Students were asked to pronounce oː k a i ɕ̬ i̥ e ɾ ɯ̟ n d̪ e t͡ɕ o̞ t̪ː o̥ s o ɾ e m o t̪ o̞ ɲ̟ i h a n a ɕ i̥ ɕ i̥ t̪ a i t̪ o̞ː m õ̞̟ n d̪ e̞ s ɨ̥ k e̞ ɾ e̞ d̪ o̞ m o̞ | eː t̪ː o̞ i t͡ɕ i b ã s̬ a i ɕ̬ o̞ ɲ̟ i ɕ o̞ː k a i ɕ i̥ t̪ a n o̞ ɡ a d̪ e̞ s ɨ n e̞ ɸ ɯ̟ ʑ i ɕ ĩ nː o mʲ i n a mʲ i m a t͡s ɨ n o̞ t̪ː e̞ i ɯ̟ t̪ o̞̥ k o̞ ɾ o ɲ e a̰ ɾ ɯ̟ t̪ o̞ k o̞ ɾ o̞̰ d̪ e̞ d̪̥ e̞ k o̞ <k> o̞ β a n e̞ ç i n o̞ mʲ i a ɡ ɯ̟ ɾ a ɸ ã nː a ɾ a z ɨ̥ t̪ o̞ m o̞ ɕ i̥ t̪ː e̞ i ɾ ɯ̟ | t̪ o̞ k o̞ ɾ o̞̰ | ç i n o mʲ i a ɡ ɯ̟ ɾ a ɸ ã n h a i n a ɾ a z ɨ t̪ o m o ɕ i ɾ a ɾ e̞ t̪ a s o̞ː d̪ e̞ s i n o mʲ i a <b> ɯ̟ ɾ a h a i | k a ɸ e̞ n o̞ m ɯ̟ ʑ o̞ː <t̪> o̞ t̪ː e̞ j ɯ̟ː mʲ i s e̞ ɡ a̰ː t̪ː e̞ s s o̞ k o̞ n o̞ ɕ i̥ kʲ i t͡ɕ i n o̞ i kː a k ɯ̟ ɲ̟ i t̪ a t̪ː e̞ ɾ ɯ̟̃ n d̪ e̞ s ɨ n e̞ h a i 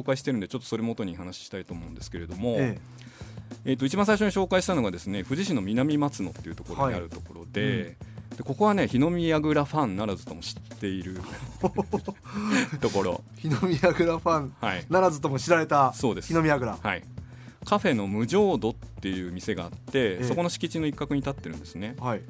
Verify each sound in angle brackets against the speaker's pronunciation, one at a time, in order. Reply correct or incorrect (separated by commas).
correct, incorrect, incorrect